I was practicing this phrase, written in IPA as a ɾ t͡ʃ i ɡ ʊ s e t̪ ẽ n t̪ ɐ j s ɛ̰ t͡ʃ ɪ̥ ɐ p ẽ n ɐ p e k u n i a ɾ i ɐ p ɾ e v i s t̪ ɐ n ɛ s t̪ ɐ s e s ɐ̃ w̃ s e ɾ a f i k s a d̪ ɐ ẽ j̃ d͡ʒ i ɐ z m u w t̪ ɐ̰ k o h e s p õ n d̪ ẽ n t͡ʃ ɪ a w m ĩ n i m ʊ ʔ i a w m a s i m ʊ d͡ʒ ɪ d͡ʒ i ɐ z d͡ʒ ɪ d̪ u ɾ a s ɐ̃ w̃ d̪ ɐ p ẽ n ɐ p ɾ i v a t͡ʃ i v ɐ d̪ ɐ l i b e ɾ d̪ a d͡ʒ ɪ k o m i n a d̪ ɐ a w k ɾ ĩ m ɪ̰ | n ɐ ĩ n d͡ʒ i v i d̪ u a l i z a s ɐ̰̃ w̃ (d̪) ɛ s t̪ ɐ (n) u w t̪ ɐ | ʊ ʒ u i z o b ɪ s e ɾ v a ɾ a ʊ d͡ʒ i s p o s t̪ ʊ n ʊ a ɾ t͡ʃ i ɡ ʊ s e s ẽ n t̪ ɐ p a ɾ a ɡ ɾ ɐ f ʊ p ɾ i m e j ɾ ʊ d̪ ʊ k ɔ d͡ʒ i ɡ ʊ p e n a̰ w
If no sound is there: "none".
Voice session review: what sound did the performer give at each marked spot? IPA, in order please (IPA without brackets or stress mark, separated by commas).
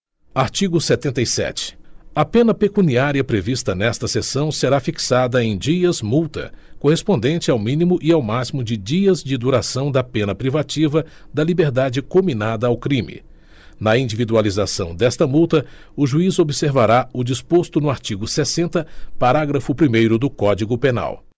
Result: d̪, m